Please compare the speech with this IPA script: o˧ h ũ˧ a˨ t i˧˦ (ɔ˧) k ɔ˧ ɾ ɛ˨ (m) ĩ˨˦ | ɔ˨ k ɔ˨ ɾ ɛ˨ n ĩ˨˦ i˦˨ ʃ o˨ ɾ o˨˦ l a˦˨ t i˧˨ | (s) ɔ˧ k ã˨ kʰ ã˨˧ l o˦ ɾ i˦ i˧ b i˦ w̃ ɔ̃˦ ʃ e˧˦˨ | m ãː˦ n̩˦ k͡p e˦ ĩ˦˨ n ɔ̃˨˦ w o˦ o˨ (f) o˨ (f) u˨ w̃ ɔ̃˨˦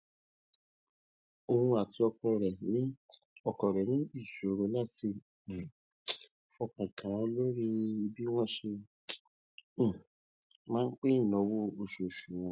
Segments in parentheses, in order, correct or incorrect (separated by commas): correct, incorrect, incorrect, incorrect, incorrect